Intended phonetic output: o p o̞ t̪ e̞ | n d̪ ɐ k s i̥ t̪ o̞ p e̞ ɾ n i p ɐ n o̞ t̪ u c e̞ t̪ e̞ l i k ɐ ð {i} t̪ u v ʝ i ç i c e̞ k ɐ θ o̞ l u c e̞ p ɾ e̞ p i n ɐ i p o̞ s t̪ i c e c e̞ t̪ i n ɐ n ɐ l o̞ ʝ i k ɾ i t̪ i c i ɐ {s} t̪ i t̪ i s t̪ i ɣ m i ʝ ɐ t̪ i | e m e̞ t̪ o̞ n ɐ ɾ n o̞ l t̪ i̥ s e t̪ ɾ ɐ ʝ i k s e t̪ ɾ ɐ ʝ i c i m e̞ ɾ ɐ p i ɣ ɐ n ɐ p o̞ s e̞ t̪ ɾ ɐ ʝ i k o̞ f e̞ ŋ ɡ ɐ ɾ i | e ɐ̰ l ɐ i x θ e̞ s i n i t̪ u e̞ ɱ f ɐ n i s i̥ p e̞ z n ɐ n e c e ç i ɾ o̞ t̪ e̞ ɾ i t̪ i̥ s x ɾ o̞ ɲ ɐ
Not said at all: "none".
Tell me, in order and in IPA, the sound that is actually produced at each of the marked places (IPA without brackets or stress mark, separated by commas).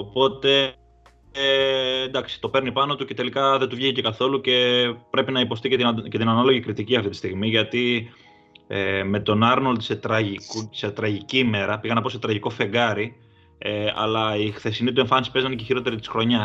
e, f